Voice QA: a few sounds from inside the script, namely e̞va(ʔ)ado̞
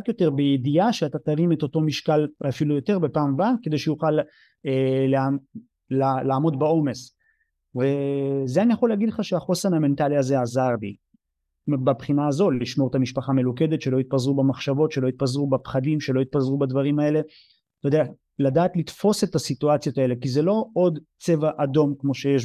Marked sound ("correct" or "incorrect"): correct